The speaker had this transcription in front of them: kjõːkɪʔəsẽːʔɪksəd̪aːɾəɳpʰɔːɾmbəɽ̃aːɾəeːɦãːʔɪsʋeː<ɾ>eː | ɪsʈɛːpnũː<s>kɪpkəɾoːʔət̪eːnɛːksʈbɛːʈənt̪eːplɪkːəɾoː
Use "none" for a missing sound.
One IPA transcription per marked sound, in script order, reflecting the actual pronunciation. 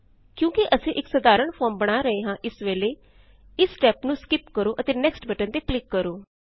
l, s

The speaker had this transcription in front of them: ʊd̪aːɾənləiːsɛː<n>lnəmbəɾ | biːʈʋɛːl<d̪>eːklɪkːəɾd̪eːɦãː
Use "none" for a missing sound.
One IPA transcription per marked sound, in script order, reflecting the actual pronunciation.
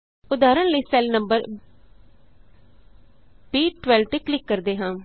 none, t̪

